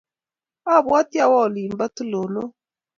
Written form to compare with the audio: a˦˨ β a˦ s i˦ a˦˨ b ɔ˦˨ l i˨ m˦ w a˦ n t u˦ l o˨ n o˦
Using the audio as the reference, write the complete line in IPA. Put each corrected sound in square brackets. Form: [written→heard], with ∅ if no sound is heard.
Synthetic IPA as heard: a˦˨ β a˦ [s→t] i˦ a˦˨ [b→w] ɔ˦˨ l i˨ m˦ [w→b] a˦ [n→∅] t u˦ l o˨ n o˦